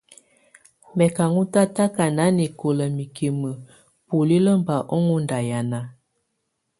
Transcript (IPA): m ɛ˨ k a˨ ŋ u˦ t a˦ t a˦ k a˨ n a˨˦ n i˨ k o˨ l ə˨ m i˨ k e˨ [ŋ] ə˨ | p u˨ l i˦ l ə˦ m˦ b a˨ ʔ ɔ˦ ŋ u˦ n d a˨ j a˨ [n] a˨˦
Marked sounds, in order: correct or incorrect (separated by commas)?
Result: incorrect, correct